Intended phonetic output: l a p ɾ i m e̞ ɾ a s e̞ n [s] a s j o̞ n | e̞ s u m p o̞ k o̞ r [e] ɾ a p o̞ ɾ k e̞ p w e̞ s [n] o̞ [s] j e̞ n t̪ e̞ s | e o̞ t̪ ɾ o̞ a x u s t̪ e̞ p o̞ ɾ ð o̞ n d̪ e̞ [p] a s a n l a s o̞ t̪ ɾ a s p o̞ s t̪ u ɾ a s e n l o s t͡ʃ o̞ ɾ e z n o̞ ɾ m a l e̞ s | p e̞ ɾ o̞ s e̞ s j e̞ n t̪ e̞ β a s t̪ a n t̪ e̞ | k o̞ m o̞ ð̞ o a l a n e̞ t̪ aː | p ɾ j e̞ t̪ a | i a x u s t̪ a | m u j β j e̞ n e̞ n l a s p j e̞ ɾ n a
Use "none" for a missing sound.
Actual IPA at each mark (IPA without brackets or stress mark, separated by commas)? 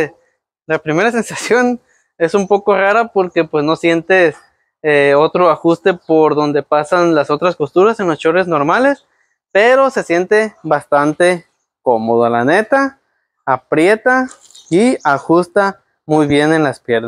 s, a, n, s, p